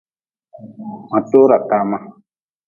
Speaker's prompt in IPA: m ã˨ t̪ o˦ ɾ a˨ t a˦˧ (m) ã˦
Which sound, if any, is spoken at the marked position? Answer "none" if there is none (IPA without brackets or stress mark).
m